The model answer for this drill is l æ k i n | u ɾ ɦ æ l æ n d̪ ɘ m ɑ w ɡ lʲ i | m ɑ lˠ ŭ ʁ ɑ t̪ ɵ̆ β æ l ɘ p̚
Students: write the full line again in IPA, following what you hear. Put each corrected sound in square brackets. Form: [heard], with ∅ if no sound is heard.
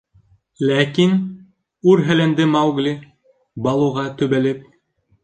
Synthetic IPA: l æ k i n | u ɾ ɦ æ l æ n d̪ ɘ m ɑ w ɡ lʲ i | [b] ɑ lˠ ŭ ʁ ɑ t̪ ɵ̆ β æ l ɘ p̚